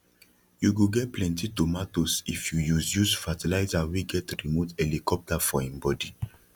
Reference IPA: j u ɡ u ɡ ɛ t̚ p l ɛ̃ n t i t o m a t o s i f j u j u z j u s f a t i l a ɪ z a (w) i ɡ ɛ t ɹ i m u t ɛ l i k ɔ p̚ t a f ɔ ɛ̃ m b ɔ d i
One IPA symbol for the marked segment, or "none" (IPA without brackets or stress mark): w